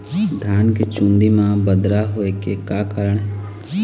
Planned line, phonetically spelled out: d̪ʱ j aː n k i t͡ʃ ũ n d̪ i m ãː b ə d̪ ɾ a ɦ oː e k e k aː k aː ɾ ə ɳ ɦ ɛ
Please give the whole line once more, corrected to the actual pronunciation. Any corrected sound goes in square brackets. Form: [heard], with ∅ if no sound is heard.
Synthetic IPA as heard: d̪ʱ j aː n k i t͡ʃ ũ n d̪ i m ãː b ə d̪ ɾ a ɦ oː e k e k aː k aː ɾ ə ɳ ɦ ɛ